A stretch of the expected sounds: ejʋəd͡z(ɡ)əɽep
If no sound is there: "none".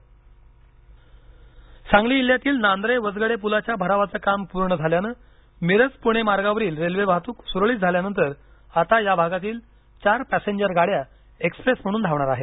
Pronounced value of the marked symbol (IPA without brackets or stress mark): ɡ